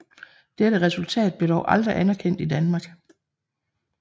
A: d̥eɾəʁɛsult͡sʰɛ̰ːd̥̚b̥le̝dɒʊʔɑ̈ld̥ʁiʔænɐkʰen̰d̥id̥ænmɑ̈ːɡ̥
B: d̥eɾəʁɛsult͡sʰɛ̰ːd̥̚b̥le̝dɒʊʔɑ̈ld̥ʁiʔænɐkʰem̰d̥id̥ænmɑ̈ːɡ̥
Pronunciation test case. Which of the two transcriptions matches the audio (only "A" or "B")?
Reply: A